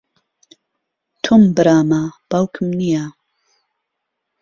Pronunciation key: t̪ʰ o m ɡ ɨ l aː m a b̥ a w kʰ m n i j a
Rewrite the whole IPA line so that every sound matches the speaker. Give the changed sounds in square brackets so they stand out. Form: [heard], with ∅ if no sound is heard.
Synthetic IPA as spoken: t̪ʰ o m [b] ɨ [ɾ] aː m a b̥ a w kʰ m n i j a